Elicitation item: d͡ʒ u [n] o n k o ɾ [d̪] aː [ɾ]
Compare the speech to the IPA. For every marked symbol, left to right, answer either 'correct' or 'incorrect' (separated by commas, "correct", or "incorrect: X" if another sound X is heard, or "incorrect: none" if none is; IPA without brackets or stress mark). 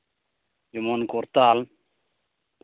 incorrect: m, incorrect: t̪, incorrect: l